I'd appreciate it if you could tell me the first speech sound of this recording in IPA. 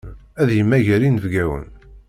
æ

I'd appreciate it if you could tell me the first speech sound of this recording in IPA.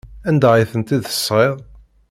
æ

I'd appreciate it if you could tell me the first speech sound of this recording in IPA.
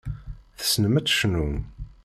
θ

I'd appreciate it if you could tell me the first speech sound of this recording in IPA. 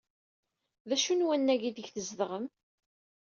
ð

